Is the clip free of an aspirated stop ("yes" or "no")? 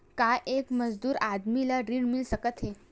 yes